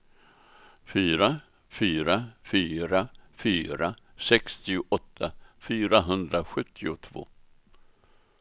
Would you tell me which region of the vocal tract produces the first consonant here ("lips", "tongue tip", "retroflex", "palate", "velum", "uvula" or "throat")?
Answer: lips